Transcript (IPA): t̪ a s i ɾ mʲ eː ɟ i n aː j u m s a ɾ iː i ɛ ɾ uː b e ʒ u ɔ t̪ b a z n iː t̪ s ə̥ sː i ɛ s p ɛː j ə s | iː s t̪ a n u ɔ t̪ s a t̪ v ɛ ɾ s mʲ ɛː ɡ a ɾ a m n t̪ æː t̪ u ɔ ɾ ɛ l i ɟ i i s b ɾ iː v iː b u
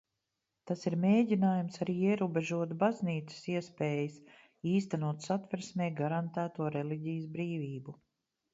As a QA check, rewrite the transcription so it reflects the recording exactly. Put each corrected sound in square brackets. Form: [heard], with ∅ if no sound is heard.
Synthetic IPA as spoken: t̪ a s i ɾ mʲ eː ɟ i n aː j u m s a ɾ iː i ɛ ɾ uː b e ʒ u ɔ t̪ b a z n iː t̪ s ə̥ [s] i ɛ s p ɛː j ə s | iː s t̪ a n u ɔ t̪ s a t̪ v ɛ ɾ s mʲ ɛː ɡ a ɾ a [∅] n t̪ æː t̪ u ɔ ɾ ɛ l i ɟ i [j] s b ɾ iː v iː b u